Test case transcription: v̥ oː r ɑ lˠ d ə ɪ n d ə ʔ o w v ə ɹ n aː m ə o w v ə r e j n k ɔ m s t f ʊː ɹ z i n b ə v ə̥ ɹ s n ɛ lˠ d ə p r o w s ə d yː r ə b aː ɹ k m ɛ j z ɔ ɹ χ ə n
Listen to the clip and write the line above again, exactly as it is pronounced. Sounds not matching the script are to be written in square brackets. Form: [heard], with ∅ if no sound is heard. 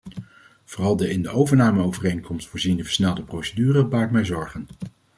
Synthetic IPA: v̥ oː r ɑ lˠ d ə ɪ n d ə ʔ o w v ə ɹ n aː m ə o w v ə r e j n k ɔ m s t f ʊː ɹ z i n [d] ə v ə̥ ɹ s n ɛ lˠ d ə p r o w s ə d yː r ə b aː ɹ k m ɛ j z ɔ ɹ χ ə n